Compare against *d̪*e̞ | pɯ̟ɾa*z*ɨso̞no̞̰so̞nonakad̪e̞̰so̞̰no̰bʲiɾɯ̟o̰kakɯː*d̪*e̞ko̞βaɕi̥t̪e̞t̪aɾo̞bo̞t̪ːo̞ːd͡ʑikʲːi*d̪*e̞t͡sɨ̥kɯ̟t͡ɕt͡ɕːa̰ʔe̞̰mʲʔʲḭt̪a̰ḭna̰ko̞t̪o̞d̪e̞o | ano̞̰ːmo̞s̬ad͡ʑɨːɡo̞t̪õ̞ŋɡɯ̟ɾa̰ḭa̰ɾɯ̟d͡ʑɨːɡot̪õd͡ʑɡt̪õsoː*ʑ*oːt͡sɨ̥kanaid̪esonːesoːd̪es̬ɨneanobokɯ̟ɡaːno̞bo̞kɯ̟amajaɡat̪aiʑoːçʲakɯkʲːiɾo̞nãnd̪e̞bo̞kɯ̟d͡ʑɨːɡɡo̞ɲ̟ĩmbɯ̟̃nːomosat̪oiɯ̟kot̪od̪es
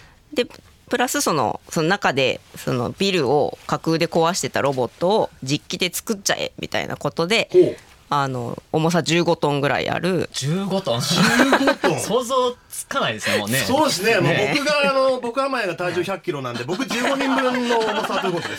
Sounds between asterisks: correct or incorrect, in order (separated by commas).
correct, incorrect, correct, correct, incorrect